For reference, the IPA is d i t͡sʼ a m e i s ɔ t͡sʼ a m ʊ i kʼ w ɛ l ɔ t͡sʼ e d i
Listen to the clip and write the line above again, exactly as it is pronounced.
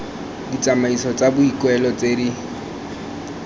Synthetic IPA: d i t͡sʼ a m a i s ɔ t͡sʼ a b ʊ i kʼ w ɛ l ɔ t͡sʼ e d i